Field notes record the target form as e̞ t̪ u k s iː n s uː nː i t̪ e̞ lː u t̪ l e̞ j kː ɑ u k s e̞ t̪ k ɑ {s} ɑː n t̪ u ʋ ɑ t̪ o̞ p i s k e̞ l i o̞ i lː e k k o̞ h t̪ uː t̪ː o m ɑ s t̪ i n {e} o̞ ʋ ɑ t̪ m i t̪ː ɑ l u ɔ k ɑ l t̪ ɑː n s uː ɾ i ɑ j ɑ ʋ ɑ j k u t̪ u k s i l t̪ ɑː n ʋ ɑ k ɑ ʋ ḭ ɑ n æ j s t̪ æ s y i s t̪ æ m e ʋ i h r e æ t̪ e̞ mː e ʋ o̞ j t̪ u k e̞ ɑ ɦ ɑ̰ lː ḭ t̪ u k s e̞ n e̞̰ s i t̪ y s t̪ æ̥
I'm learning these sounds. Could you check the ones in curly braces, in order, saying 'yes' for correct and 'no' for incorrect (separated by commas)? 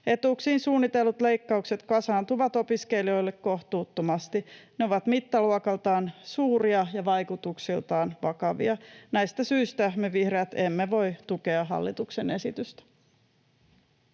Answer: yes, yes